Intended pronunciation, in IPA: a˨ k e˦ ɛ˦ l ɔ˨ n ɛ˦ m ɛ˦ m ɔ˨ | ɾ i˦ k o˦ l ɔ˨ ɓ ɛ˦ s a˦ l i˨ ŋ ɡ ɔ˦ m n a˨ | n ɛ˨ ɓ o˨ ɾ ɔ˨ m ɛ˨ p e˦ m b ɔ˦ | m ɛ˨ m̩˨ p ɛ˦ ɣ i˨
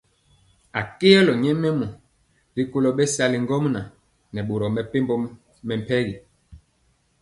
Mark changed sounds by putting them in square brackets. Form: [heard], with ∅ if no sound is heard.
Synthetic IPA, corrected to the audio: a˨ k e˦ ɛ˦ l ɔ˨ [ɲ] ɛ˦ m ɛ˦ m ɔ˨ | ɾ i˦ k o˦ l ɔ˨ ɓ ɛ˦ s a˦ l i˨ ŋ ɡ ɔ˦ m n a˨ | n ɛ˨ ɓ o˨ ɾ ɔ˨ m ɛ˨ p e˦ m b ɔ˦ | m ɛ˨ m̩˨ p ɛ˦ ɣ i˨